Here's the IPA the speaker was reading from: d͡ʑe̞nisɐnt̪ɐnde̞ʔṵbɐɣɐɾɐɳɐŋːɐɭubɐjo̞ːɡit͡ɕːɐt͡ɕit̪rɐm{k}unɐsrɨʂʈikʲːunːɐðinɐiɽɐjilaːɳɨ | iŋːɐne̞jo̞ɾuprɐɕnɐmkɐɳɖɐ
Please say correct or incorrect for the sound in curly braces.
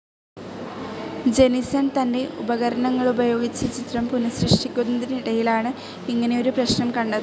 incorrect